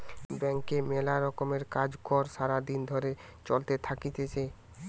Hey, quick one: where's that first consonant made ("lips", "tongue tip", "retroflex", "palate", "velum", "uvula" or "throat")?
lips